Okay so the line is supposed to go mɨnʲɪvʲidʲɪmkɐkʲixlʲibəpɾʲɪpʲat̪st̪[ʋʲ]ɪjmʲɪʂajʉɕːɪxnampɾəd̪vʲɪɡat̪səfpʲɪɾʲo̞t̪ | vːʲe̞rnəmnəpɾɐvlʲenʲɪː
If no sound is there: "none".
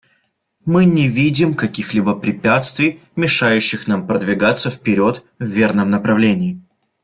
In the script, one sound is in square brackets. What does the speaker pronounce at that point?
vʲ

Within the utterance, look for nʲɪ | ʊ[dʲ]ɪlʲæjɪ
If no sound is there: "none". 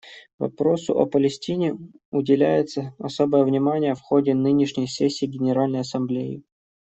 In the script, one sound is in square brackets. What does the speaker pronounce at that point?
dʲ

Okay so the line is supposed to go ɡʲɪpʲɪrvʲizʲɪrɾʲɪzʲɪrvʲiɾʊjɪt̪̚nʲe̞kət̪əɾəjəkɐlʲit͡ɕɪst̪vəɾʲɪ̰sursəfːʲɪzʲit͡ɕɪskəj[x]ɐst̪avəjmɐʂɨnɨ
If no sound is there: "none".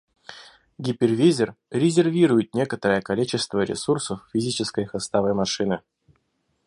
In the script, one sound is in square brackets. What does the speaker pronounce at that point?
x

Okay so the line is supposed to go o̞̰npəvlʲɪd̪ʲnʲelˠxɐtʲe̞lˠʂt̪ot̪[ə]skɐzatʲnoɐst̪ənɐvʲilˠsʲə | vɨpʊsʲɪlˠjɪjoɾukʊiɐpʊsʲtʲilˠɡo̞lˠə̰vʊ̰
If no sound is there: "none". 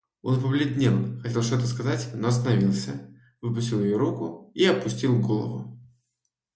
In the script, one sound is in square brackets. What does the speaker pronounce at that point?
ə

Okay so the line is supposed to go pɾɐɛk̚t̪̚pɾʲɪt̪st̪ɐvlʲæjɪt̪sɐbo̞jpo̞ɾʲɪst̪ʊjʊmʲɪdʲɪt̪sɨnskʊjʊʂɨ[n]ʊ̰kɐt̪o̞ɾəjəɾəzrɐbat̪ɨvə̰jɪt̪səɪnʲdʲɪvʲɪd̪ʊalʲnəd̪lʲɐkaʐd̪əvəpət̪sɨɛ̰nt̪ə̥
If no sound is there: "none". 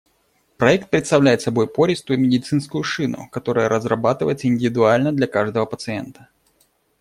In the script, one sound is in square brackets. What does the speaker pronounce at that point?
n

